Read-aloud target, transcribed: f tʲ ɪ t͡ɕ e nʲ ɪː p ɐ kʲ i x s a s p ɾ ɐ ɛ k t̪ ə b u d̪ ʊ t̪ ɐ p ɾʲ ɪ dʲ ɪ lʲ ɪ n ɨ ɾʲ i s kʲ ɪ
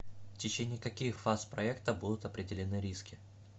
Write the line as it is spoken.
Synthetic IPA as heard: f tʲ ɪ t͡ɕ e nʲ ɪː k ɐ kʲ i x f a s p ɾ ɐ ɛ k t̪ ə b u d̪ ʊ t̪ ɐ p ɾʲ ɪ dʲ ɪ lʲ ɪ n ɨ ɾʲ i s kʲ ɪ